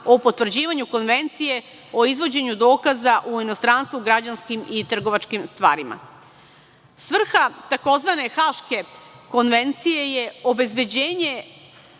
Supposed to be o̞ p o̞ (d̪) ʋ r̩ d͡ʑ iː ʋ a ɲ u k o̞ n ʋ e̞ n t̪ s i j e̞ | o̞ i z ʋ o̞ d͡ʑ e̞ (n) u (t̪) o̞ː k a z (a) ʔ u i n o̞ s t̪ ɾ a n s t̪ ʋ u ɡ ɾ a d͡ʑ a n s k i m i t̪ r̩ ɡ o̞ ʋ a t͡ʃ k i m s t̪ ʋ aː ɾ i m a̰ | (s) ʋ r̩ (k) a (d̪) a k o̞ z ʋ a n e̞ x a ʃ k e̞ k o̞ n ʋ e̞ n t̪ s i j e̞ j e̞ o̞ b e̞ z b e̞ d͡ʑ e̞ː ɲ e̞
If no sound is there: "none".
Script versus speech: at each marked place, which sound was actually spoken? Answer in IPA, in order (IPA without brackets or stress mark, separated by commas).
t̪, ɲ, d̪, a, s, x, t̪